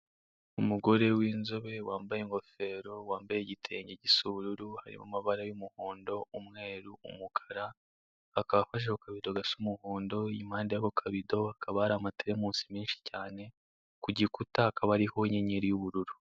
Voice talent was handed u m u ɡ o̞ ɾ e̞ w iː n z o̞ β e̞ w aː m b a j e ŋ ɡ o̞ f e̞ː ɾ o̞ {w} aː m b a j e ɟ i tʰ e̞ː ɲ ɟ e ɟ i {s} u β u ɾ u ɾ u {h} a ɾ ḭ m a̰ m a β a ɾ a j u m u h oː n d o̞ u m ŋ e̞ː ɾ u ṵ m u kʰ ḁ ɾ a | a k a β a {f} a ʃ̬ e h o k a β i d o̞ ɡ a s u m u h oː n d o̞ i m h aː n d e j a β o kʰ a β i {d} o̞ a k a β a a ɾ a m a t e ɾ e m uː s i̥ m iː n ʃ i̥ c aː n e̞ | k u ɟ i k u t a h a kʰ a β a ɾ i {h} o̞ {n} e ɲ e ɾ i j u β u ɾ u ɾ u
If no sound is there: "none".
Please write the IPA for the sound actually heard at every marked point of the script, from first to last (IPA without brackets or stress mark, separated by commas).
w, s, h, f, d, h, ɲ